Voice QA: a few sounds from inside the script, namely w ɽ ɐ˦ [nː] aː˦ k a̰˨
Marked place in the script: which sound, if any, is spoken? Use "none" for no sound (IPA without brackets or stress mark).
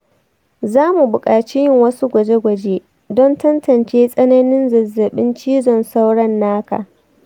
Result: nː